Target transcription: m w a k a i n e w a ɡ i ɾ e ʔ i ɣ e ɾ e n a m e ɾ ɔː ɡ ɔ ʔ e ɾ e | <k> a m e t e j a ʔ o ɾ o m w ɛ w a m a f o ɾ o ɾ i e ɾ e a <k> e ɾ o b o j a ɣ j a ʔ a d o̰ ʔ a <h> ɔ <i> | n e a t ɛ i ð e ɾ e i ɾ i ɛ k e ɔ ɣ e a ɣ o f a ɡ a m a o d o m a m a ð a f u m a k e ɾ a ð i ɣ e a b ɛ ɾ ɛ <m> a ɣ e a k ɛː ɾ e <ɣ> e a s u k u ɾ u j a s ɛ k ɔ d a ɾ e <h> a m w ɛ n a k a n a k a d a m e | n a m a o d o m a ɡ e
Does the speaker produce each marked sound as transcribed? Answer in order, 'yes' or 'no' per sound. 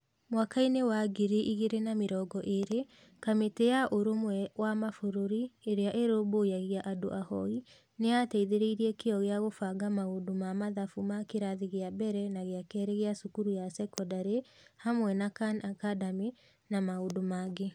yes, no, yes, yes, no, yes, yes

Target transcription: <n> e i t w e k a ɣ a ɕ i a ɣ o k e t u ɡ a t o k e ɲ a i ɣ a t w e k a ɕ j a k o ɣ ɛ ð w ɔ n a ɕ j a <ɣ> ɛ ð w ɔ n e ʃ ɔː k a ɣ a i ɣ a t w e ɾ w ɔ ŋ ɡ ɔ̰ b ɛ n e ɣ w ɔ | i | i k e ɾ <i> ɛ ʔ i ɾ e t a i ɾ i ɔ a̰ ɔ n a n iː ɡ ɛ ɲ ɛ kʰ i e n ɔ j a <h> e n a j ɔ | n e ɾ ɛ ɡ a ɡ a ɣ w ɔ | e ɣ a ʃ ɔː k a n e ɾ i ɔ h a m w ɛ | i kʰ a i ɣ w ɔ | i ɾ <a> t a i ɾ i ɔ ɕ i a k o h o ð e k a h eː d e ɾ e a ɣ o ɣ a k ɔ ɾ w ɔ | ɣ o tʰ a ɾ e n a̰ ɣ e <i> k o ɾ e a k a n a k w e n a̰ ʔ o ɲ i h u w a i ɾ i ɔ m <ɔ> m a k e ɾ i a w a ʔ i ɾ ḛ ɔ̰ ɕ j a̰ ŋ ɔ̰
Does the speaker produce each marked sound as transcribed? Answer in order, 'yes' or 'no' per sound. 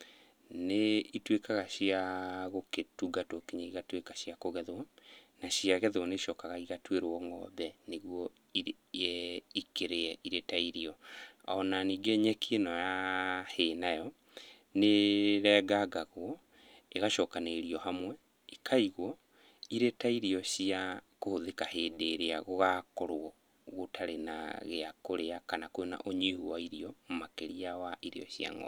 yes, yes, no, yes, no, no, no

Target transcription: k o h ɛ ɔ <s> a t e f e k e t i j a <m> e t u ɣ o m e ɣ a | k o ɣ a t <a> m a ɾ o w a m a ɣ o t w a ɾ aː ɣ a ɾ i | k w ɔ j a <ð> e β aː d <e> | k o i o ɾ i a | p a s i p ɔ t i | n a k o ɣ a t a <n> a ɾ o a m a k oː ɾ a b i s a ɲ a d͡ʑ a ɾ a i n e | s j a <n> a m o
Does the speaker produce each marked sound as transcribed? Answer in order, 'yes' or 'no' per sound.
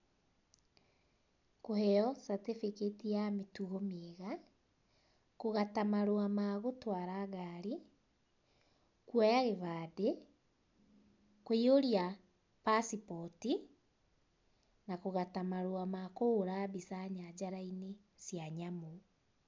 yes, yes, yes, no, yes, no, no

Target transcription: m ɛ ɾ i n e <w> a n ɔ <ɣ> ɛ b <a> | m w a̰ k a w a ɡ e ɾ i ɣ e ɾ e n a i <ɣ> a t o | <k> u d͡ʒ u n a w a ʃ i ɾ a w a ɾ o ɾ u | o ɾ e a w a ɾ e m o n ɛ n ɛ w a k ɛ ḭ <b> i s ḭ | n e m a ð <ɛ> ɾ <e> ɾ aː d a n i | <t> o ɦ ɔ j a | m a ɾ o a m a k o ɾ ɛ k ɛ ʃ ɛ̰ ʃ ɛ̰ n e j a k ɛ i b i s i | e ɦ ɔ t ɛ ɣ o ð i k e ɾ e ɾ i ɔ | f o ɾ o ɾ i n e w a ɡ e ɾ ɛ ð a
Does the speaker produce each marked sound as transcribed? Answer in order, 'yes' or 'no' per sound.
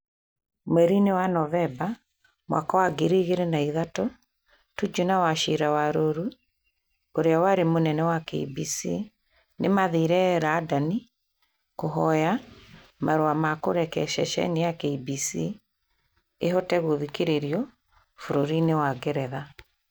yes, no, yes, no, no, yes, no, no, no

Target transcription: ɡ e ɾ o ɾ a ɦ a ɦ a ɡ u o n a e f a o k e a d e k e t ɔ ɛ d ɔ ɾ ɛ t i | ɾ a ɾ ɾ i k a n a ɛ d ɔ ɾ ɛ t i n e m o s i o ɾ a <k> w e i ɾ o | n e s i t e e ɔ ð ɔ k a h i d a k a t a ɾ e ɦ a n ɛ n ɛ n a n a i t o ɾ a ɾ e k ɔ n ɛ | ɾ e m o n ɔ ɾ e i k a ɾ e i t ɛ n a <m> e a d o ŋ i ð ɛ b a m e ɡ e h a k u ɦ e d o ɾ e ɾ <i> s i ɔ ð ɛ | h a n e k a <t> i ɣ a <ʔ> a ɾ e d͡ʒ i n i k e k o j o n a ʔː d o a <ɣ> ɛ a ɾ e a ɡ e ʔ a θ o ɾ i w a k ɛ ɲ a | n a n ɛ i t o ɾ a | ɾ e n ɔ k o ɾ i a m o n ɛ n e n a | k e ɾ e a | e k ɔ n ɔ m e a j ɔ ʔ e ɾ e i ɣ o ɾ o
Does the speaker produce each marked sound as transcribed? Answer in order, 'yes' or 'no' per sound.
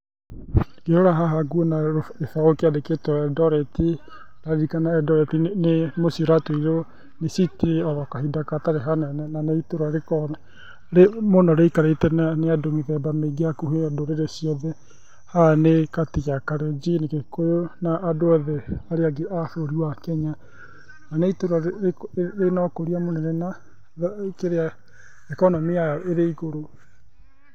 no, no, no, yes, no, no

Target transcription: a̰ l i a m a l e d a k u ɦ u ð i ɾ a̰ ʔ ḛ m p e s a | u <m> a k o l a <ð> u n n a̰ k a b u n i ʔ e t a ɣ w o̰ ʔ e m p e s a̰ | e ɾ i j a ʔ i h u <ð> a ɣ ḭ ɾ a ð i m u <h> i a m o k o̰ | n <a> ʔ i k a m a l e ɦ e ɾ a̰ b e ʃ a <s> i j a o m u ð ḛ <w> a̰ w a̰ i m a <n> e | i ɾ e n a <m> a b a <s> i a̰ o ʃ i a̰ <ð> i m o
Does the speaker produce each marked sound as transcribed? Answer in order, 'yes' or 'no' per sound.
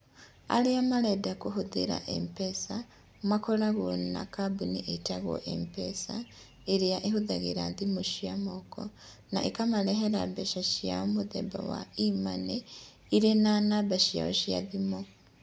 yes, no, yes, no, yes, no, no, yes, no, no, yes

